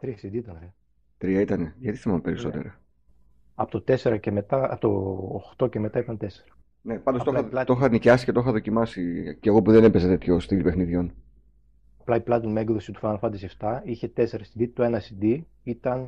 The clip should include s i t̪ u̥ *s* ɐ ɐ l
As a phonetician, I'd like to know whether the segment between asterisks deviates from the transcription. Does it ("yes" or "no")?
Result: yes